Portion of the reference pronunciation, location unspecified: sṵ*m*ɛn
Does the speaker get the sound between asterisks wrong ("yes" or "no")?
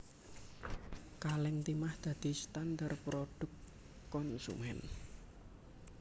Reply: no